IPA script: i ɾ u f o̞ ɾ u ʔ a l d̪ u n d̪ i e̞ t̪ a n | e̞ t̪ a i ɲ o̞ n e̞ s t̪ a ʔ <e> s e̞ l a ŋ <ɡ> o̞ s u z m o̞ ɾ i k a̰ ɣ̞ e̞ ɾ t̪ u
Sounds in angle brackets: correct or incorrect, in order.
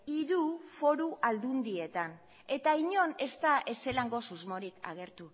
correct, correct

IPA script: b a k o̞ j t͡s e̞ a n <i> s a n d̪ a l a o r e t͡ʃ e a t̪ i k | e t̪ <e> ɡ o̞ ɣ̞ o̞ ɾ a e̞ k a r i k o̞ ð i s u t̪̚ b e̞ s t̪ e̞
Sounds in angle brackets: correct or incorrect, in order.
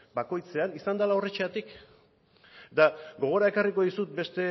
correct, incorrect

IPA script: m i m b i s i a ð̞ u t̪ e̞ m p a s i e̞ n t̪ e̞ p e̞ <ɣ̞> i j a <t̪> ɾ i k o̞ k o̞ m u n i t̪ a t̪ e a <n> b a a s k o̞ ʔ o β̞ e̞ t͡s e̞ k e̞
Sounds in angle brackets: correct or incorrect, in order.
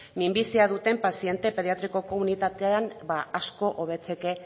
incorrect, correct, correct

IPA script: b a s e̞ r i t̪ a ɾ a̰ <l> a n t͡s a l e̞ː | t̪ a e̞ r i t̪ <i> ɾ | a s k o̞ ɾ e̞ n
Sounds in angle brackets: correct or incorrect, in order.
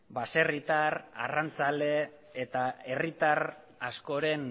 incorrect, incorrect

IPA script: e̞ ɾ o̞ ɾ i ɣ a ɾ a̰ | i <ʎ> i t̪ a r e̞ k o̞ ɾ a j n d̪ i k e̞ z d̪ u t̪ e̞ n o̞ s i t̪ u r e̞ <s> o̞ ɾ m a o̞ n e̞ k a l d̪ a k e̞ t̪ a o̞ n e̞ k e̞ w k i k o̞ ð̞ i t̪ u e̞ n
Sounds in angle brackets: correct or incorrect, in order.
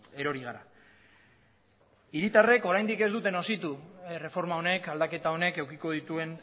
incorrect, incorrect

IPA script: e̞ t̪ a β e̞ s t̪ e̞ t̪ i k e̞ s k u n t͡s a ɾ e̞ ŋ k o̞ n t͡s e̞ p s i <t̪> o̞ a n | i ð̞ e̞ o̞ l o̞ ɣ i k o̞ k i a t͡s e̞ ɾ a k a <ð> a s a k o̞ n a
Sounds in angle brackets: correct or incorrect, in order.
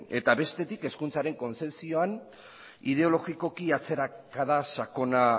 incorrect, correct

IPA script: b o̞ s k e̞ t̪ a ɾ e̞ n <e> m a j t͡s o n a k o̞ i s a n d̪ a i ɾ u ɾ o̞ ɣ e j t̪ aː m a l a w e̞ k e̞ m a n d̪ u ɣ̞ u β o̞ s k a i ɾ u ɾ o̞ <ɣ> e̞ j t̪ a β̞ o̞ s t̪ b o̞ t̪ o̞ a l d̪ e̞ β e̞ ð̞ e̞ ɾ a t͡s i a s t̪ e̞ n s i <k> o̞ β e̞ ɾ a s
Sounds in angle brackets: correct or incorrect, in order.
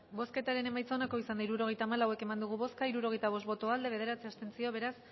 correct, correct, incorrect

